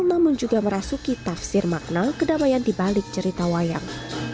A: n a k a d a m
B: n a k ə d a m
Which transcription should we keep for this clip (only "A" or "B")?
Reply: B